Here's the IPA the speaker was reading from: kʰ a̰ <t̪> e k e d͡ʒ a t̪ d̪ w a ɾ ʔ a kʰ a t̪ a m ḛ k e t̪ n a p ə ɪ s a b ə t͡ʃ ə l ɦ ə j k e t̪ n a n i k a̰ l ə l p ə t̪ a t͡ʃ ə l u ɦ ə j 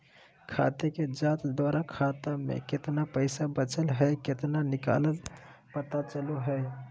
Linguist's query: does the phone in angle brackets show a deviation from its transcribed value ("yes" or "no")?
no